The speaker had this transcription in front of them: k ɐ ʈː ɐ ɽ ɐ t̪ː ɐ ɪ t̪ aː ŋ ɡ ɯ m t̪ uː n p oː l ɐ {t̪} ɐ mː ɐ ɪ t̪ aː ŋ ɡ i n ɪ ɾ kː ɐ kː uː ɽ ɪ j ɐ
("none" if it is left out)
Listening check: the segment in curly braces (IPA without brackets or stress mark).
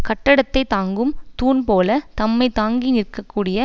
t̪